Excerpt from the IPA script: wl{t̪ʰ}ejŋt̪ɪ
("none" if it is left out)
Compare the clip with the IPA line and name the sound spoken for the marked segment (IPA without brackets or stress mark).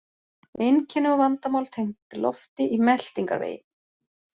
t̪ʰ